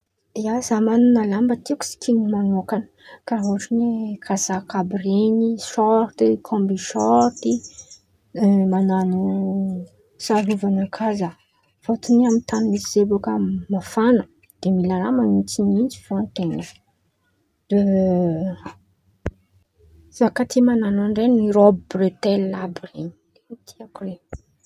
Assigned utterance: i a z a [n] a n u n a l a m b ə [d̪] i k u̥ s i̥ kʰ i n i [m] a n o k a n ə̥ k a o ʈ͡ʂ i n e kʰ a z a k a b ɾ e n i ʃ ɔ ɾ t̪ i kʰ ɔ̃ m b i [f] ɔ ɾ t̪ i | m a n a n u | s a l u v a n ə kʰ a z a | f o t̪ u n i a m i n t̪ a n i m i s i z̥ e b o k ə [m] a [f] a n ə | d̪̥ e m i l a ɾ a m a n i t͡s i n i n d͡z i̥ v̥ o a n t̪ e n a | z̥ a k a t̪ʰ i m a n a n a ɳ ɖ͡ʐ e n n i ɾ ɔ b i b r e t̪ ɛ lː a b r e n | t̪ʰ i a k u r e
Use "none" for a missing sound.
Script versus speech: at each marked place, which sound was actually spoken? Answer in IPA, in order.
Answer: m, t̪, m, ʃ, m, f

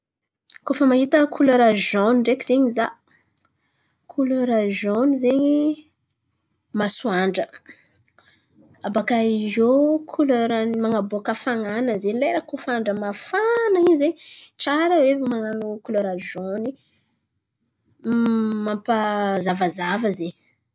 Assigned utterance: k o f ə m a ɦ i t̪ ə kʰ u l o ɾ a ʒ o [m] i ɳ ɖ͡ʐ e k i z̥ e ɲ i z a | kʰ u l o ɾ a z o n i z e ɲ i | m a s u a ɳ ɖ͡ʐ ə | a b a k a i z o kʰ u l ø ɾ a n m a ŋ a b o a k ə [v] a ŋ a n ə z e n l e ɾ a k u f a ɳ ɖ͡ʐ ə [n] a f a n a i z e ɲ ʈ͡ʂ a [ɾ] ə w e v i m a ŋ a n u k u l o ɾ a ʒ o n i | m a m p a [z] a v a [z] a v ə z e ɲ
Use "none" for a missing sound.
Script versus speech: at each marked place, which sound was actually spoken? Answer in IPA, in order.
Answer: n, f, m, ɾ, z, z

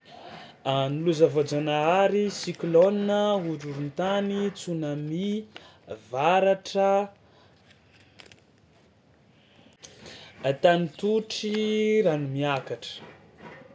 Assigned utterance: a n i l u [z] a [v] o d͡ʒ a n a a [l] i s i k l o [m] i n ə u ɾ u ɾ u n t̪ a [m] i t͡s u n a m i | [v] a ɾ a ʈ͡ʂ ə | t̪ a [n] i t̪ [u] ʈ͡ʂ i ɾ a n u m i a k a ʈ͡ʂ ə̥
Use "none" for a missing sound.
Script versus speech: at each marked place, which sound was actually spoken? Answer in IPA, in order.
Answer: z, v, ɾ, n, n, v, n, u

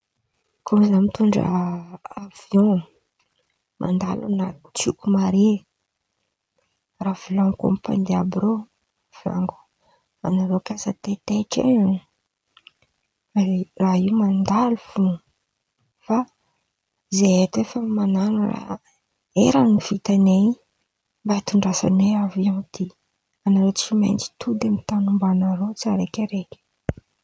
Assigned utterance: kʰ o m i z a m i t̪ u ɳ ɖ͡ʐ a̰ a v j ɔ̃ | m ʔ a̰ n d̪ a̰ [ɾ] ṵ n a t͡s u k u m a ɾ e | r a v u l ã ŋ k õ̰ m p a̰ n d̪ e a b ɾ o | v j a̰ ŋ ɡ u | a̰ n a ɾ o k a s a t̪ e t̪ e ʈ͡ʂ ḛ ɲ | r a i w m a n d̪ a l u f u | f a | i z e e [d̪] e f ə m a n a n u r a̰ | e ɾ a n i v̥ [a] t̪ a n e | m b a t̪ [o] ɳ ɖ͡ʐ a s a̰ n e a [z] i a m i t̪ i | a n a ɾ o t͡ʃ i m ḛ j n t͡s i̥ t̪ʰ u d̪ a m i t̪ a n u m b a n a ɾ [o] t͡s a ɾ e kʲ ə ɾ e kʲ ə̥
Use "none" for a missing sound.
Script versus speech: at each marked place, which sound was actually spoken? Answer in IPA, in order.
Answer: l, t̪, i, u, v, o

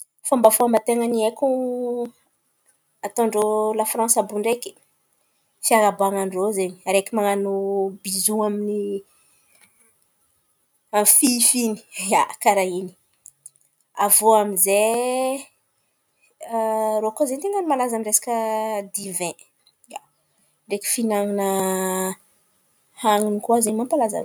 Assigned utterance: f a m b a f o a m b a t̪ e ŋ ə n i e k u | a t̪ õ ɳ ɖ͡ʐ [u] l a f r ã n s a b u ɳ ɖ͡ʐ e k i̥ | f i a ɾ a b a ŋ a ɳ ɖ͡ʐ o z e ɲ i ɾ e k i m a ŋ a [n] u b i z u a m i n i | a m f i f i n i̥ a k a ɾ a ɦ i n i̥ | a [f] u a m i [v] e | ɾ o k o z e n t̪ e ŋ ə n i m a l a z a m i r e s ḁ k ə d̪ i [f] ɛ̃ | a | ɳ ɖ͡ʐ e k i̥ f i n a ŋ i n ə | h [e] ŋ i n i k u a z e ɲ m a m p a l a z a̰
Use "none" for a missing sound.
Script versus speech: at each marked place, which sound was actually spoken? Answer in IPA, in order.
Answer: o, n, v, z, v, a

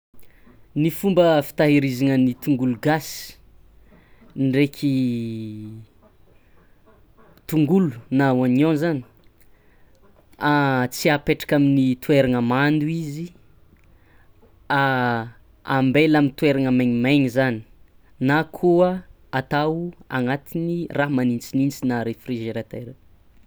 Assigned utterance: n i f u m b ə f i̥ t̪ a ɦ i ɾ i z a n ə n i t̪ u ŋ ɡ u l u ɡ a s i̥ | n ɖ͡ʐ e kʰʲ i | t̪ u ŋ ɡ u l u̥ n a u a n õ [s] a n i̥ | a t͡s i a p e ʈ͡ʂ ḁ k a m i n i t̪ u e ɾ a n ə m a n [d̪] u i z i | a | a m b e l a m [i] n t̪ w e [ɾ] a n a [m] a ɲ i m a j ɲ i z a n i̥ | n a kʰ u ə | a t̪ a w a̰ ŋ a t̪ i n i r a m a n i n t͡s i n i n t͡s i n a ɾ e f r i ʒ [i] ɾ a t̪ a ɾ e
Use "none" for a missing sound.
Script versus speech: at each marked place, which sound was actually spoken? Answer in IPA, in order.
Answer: z, d̪, i, ɾ, m, e

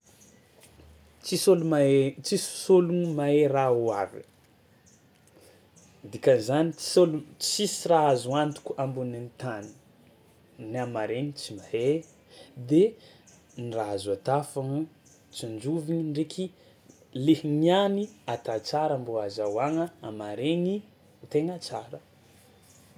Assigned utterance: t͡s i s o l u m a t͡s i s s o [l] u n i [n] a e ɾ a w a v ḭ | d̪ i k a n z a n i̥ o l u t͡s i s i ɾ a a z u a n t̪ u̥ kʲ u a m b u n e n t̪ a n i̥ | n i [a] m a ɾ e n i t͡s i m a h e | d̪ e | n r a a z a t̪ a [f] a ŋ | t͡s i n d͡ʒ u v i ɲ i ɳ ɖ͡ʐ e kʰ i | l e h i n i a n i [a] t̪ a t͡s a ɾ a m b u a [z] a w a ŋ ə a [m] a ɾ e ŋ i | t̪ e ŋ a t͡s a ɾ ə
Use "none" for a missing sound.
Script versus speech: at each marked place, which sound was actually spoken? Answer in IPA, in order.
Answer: l, m, a, f, a, z, m

